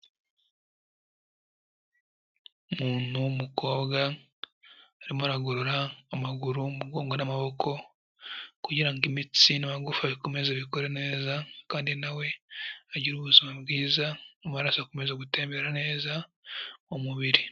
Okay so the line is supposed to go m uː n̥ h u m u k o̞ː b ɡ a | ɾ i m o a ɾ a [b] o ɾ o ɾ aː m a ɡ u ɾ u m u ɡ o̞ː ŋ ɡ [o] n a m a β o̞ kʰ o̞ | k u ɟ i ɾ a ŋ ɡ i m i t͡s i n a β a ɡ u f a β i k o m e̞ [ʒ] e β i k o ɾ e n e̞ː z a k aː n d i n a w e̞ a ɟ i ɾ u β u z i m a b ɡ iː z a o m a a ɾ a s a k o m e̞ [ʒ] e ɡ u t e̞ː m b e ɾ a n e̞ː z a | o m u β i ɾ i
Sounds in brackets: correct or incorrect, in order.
incorrect: ɡ, correct, incorrect: z, incorrect: z

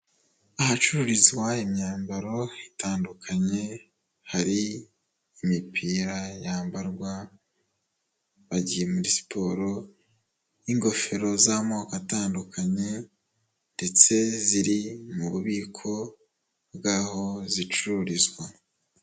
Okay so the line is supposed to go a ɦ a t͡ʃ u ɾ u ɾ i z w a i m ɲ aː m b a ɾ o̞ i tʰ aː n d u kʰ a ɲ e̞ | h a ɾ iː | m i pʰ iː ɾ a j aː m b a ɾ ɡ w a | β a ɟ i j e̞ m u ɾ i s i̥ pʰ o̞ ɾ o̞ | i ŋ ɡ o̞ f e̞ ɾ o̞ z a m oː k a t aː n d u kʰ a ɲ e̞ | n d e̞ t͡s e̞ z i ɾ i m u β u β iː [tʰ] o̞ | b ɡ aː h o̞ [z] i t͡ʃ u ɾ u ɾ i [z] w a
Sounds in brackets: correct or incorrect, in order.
incorrect: kʰ, correct, correct

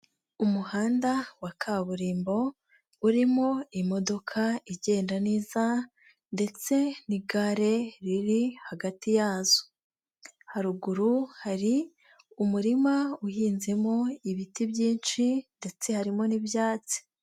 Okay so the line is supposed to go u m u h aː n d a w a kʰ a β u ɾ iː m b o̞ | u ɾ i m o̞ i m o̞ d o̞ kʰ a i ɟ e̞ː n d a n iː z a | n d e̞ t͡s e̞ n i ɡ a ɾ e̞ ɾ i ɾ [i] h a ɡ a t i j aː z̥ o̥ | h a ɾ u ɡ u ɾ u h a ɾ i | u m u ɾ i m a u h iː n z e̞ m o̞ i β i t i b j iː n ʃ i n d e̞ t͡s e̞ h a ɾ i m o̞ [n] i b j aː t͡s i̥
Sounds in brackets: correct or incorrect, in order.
correct, correct

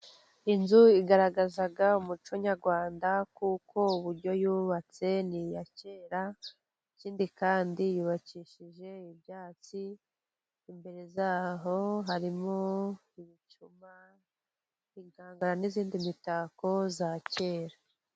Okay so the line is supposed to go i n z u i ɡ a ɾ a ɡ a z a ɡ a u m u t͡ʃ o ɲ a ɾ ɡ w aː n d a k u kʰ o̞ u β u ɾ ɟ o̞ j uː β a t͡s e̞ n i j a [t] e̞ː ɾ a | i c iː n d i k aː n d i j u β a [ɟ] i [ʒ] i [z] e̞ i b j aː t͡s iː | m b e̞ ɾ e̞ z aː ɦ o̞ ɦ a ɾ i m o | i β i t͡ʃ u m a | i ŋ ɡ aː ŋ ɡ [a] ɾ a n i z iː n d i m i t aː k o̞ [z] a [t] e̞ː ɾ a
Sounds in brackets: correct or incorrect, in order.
incorrect: c, incorrect: c, incorrect: ʃ, incorrect: ʒ, correct, correct, incorrect: c

